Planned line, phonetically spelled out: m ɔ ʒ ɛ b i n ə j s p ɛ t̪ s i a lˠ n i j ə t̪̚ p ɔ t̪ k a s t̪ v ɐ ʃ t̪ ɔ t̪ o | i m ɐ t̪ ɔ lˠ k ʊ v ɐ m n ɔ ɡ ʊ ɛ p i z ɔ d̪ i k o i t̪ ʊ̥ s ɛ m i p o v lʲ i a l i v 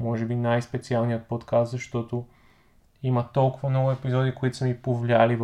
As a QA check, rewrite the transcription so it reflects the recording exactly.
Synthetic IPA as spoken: m ɔ ʒ ɛ b i n a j s p ɛ t̪ s i a lˠ n i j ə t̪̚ p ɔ t̪ k a s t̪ z ɐ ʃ t̪ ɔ t̪ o | i m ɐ t̪ ɔ lˠ k ʊ v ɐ m n ɔ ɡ ʊ ɛ p i z ɔ d̪ i k o i t̪ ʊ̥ s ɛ m i p o v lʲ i a l i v